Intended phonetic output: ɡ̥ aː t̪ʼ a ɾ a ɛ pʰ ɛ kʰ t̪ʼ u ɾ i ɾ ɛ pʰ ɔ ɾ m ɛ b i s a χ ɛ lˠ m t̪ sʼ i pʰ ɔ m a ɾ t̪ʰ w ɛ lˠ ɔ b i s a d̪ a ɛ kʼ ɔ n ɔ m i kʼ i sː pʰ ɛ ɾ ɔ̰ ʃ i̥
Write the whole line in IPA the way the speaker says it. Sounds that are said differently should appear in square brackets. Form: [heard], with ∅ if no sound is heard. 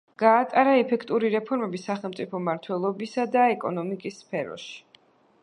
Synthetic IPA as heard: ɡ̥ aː t̪ʼ a ɾ a ɛ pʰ ɛ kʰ t̪ʼ u ɾ i ɾ ɛ pʰ ɔ ɾ m ɛ b i s a χ ɛ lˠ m t̪ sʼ i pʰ ɔ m a ɾ t̪ʰ w ɛ lˠ ɔ b i s a d̪ a ɛ kʼ ɔ n ɔ m i kʼ i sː pʰ ɛ ɾ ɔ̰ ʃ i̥